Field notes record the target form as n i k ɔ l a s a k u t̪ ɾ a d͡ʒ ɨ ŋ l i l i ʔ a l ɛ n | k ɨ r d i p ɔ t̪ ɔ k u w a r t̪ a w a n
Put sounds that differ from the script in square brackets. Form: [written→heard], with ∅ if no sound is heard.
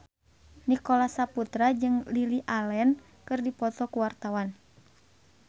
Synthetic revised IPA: n i k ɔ l a s a [k→p] u t̪ ɾ a d͡ʒ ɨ ŋ l i l i ʔ a l ɛ n | k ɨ r d i p ɔ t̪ ɔ k u w a r t̪ a w a n